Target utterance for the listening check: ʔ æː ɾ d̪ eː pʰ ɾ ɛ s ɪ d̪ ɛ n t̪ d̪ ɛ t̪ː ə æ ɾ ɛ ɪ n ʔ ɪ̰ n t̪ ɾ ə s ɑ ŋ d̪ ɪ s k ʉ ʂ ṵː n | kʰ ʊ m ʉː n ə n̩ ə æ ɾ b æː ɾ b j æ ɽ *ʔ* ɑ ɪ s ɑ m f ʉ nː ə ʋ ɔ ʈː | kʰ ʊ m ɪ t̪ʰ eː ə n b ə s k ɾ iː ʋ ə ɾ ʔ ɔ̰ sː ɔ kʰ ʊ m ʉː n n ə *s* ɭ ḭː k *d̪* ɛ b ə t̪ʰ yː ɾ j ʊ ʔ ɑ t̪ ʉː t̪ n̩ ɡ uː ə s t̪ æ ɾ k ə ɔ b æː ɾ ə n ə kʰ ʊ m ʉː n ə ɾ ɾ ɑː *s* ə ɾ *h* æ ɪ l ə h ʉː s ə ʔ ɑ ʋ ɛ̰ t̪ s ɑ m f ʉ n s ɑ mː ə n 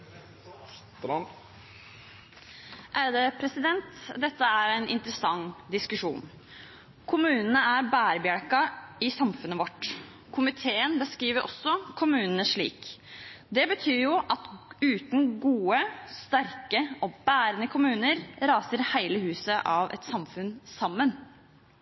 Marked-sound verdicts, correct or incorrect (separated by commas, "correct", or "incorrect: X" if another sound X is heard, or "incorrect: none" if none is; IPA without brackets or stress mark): incorrect: k, incorrect: ʂ, correct, correct, correct